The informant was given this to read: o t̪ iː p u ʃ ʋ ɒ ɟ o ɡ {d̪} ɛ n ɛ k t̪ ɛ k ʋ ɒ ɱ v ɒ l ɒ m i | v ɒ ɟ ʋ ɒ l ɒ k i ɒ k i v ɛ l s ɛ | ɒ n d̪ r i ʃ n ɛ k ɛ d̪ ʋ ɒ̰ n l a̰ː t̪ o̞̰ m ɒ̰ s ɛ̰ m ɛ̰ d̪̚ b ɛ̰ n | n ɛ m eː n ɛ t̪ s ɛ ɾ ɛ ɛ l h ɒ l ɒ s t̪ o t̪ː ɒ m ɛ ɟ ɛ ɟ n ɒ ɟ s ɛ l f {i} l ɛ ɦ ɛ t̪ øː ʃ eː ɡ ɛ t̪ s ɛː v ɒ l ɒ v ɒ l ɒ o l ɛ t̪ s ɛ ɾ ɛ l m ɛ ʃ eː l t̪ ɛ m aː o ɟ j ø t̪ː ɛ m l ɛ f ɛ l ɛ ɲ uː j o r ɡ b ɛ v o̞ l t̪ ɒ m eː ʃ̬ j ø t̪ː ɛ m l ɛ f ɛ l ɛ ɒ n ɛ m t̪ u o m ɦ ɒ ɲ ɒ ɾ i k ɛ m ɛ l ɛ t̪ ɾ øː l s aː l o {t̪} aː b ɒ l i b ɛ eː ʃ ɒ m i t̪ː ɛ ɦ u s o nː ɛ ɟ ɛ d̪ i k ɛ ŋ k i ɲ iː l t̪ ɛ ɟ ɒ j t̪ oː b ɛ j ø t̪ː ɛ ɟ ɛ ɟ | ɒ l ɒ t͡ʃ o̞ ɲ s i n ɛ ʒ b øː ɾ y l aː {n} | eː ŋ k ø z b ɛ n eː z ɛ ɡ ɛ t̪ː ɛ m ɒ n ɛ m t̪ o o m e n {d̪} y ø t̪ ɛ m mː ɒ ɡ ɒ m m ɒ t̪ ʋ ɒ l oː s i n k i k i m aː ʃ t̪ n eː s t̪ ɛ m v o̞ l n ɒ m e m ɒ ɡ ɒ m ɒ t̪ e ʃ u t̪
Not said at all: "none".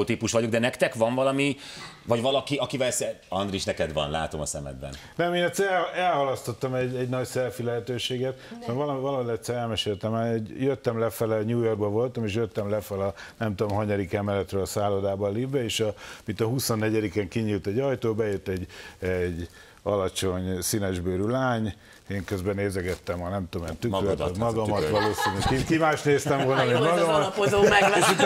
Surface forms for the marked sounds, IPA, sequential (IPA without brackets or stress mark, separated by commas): d̪, i, d̪, ɲ, t̪